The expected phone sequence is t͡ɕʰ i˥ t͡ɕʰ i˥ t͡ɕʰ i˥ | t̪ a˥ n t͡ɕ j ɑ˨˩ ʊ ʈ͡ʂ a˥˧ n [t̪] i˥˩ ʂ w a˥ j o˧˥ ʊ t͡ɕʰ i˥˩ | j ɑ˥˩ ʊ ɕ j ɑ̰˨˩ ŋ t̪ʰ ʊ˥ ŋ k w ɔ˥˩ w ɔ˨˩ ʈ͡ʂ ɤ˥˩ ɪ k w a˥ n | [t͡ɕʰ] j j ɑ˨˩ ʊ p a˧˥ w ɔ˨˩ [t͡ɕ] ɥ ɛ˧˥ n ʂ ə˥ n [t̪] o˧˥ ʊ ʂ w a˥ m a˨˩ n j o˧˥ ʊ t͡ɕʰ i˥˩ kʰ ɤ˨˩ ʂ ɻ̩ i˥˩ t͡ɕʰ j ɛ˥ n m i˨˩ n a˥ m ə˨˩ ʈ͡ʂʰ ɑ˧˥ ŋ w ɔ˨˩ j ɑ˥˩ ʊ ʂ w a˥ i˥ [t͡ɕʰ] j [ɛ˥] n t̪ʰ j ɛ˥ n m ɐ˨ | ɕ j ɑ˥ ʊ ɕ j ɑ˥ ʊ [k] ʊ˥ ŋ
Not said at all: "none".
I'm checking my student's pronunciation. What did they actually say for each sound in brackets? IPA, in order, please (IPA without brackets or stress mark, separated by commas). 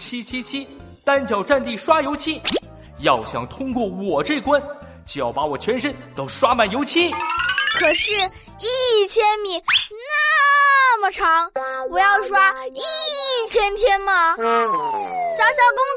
t̪, t͡ɕ, t͡ɕʰ, t̪, t͡ɕʰ, ɛ˥, k